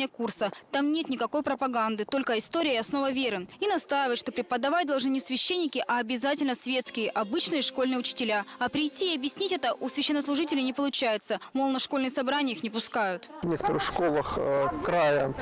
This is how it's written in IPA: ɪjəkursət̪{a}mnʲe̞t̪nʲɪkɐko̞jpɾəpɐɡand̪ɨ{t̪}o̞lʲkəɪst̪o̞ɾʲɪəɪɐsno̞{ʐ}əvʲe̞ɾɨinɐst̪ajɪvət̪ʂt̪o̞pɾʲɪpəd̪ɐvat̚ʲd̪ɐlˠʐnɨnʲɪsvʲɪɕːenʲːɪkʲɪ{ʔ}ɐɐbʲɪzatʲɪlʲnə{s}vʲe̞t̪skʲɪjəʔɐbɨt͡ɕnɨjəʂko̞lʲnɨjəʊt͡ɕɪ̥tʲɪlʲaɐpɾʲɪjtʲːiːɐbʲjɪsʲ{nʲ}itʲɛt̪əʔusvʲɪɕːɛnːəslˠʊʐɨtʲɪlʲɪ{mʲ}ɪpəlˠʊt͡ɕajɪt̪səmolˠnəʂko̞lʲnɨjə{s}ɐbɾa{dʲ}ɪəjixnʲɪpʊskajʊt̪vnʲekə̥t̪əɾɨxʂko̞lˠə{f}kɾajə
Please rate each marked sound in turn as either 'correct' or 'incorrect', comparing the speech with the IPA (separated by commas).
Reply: correct, correct, incorrect, correct, correct, correct, incorrect, correct, incorrect, incorrect